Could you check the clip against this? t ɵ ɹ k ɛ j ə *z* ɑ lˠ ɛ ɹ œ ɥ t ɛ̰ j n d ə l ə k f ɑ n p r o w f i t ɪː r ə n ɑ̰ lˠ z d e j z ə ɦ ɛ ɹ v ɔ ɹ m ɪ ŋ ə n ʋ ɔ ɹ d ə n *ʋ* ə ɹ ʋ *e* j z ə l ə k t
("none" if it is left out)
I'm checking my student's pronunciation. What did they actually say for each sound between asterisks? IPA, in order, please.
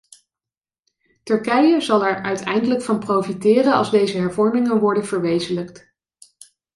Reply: z, v, e

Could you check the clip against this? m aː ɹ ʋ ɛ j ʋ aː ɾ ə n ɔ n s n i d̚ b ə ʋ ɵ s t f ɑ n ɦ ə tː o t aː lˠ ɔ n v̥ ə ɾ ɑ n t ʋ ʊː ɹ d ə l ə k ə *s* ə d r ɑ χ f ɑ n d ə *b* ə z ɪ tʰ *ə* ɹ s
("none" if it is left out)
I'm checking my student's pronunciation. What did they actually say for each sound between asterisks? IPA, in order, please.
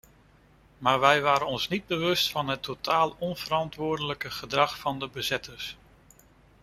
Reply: χ, b, ə

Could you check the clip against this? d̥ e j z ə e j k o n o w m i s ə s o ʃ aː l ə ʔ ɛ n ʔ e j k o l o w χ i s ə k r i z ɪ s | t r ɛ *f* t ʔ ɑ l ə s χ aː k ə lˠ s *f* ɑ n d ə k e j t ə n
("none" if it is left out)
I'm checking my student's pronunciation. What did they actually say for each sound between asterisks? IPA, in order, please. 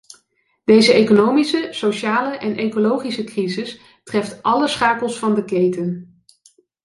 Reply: f, f

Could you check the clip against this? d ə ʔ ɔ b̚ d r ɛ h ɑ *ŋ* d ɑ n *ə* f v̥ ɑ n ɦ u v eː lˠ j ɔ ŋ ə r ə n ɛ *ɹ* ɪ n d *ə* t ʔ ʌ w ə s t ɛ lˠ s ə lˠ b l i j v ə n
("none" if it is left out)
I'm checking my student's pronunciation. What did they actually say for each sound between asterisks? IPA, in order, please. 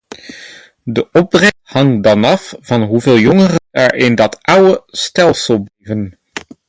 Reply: ŋ, ɑ, ɹ, ɑ

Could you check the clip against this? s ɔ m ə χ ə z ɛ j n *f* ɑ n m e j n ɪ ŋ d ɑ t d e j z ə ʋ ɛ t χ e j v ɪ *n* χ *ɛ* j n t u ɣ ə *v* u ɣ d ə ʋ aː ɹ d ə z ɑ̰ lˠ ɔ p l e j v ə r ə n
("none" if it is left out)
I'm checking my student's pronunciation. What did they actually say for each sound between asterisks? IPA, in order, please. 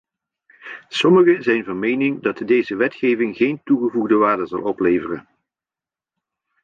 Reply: v, ŋ, e, v

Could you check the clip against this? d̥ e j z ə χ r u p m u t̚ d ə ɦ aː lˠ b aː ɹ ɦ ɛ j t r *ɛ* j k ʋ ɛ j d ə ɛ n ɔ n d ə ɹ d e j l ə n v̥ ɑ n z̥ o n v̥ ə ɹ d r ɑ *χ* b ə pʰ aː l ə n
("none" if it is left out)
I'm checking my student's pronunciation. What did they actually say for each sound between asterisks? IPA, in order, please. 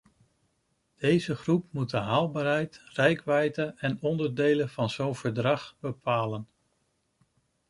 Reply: ɛ, χ

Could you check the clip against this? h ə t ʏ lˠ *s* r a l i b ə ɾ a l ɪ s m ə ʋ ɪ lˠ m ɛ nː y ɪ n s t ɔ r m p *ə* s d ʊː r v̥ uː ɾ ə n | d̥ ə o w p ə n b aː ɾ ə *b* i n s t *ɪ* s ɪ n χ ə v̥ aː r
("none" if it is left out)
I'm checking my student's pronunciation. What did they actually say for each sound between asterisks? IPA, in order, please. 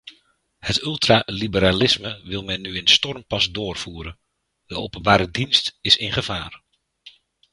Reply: t, ɑ, d, ɪ

